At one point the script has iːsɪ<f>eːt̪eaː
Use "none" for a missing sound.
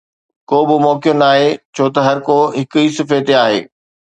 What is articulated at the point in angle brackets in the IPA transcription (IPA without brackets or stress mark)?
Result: f